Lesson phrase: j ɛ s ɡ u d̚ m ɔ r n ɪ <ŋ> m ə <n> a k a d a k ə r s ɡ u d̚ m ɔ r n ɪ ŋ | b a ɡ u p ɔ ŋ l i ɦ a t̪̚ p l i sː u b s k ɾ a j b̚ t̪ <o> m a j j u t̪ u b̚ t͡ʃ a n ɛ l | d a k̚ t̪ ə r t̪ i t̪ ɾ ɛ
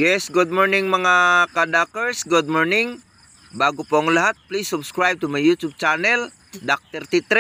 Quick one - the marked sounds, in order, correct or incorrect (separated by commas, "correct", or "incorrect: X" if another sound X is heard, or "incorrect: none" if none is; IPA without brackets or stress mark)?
correct, incorrect: ŋ, incorrect: u